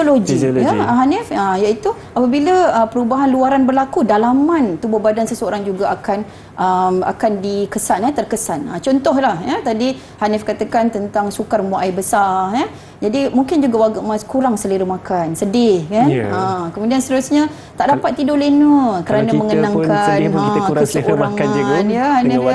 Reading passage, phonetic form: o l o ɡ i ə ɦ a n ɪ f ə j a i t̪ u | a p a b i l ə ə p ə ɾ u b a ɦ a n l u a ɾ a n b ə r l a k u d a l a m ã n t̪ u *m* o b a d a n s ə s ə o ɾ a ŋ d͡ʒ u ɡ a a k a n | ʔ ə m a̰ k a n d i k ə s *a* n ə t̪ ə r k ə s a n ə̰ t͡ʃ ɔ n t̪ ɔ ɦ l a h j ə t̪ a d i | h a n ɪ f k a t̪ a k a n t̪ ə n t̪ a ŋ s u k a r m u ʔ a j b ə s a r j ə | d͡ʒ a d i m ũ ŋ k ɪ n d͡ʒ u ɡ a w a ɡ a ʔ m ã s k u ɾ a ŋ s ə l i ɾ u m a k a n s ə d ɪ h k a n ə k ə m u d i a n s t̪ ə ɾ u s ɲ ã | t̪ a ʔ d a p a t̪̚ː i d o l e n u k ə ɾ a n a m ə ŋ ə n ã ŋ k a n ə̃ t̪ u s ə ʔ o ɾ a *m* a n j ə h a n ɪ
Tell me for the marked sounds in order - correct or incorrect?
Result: incorrect: b, correct, incorrect: ŋ

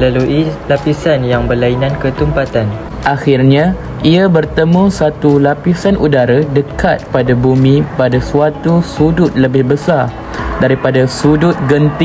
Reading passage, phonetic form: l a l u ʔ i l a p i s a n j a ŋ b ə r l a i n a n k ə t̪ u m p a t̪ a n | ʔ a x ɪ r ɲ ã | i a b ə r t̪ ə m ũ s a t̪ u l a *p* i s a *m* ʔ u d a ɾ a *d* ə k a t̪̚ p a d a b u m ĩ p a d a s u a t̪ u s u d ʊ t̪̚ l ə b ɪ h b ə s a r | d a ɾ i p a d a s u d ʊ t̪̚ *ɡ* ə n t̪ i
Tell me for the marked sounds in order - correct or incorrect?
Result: correct, incorrect: n, correct, correct

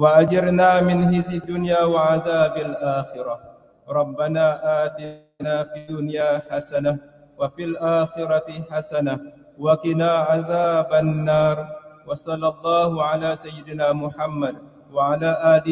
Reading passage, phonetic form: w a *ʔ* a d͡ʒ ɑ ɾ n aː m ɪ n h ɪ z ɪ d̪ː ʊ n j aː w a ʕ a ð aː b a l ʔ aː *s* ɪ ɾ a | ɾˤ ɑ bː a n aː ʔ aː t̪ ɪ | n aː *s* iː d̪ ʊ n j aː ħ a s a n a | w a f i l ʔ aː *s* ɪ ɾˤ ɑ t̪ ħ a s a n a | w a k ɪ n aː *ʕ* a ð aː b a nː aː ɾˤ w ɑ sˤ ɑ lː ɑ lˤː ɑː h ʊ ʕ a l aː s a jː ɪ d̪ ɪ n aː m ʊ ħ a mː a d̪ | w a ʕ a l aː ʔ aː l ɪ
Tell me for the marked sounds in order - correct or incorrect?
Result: correct, incorrect: x, incorrect: f, incorrect: x, correct

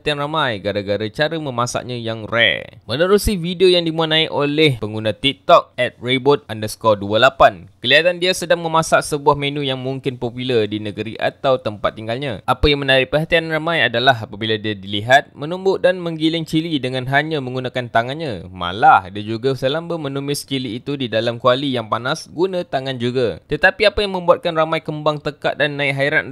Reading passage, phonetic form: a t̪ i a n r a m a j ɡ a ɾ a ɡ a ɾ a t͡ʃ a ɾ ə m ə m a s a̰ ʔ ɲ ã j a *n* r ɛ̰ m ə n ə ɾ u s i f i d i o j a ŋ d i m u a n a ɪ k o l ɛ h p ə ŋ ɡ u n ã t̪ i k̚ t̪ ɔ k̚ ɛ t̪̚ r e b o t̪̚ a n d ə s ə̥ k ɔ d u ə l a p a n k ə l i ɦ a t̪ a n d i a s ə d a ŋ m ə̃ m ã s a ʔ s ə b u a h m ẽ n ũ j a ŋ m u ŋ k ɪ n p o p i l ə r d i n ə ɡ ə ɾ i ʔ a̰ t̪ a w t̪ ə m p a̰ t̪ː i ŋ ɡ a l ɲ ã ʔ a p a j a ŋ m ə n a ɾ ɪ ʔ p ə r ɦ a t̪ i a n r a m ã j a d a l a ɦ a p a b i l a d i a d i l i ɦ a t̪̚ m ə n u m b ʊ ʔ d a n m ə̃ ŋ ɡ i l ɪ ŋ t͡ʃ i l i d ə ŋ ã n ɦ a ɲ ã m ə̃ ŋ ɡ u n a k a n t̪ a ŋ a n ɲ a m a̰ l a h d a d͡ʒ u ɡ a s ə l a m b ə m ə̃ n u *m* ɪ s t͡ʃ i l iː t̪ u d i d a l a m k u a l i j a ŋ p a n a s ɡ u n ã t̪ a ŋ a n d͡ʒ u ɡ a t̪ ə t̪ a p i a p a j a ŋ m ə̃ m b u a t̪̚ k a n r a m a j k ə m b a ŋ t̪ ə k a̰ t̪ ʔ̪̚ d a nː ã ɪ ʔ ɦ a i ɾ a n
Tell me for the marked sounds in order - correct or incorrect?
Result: incorrect: ŋ, correct

